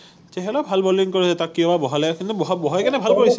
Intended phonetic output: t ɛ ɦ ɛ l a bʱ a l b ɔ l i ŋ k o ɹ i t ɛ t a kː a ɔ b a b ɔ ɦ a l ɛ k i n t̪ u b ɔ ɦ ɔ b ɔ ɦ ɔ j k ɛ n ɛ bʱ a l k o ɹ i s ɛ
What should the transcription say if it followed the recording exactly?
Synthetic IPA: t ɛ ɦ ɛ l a bʱ a l b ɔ l i ŋ k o ɹ i s ɛ t a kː i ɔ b a b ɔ ɦ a l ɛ k i n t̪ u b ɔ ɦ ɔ b ɔ ɦ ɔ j k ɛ n ɛ bʱ a l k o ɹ i s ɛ